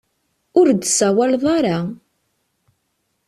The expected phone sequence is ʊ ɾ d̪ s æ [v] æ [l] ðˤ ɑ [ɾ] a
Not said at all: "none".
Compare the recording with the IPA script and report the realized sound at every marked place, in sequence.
w, l, ɾ

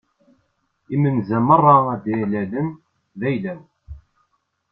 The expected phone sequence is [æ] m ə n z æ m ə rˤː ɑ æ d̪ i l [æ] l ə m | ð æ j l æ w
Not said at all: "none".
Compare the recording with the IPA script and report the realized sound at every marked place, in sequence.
i, æ

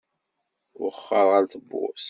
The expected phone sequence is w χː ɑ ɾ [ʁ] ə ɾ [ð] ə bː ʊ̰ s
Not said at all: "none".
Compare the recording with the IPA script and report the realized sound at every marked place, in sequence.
ʁ, θ

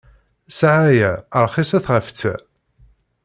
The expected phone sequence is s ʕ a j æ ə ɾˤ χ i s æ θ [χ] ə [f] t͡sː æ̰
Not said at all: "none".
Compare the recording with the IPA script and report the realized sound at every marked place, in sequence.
ʁ, f

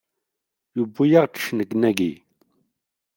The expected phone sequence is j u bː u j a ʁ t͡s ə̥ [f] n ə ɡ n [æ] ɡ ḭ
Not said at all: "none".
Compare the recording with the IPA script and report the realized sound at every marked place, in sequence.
ʃ, æ

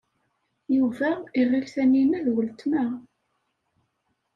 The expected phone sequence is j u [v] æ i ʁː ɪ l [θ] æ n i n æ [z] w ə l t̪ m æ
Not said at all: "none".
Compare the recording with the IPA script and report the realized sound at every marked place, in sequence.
v, θ, ð

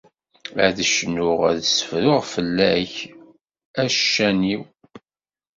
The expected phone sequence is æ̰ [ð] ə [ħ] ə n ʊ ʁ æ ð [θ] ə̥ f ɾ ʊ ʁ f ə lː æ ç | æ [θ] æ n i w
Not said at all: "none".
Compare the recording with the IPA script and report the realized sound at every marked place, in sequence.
ð, ʃ, s, ʃ

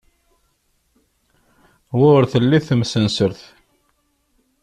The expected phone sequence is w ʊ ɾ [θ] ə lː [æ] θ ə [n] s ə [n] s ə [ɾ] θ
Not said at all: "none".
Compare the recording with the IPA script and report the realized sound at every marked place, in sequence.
θ, i, m, n, ɾ

